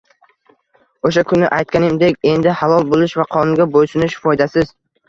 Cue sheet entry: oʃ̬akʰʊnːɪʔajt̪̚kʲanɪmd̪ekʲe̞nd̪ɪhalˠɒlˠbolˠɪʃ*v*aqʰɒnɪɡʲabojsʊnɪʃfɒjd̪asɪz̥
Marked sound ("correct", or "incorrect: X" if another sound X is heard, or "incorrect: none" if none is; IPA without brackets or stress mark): correct